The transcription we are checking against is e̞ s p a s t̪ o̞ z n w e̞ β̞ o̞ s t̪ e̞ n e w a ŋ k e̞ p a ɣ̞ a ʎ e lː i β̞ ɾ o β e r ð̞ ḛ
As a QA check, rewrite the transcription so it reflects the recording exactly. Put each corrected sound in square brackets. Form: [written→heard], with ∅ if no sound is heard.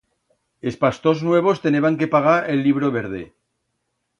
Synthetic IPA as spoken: e̞ s p a s t̪ o̞ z n w e̞ β̞ o̞ s t̪ e̞ n e [w→β] a ŋ k e̞ p a ɣ̞ a [ʎ→ɾ] e lː i β̞ ɾ o β e [r→ɾ] ð̞ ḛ